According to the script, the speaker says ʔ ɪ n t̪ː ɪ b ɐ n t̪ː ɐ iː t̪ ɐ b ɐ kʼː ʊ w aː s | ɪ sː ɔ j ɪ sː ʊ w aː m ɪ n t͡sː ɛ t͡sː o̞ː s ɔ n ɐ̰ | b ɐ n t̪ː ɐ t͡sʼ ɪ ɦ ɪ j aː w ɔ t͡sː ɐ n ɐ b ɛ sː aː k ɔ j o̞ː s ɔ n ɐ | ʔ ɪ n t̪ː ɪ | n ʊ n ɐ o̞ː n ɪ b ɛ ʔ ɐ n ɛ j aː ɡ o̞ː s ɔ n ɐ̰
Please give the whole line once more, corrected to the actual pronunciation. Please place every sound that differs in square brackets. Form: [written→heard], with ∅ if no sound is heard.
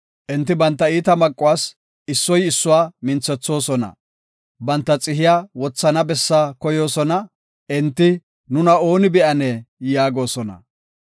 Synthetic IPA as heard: ʔ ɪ n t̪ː ɪ b ɐ n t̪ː ɐ iː t̪ ɐ [b→m] ɐ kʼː ʊ w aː s | ɪ sː ɔ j ɪ sː ʊ w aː m ɪ n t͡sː ɛ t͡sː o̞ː s ɔ n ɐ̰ | b ɐ n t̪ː ɐ t͡sʼ ɪ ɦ ɪ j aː w ɔ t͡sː ɐ n ɐ b ɛ sː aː k ɔ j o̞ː s ɔ n ɐ | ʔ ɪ n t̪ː ɪ | n ʊ n ɐ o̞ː n ɪ b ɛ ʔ ɐ n ɛ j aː ɡ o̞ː s ɔ n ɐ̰